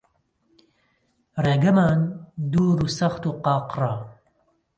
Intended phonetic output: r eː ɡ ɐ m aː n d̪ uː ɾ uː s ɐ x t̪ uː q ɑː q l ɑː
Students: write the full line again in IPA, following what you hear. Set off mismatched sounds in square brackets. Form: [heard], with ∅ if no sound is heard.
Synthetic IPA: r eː ɡ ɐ m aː n d̪ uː ɾ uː s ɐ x t̪ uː q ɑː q [r] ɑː